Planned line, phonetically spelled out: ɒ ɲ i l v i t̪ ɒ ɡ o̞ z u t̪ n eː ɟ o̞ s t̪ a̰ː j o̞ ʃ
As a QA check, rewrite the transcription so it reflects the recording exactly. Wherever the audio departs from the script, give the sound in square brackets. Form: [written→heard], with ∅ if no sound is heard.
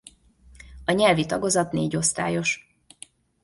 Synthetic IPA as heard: ɒ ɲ [i→ɛ] l v i t̪ ɒ ɡ o̞ z [u→ɒ] t̪ n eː ɟ o̞ s t̪ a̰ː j o̞ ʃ